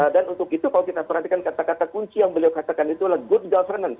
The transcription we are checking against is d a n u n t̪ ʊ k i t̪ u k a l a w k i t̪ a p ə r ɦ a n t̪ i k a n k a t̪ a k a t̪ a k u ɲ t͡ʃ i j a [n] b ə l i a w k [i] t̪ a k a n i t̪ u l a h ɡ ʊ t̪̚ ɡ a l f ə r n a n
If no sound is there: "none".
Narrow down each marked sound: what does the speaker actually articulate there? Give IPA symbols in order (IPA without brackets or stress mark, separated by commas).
ŋ, a